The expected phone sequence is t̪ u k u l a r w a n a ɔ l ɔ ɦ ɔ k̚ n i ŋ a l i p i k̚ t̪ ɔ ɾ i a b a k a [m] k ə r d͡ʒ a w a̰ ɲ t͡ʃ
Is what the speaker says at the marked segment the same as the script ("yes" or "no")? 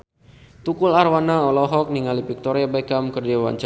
yes